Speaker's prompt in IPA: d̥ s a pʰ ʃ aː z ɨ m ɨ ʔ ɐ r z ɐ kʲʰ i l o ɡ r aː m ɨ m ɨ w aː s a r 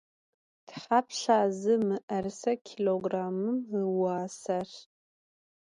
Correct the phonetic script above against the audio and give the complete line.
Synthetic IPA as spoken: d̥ ħ a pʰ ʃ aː z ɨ m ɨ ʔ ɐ r s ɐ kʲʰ i l o ɡ r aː m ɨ m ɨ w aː s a r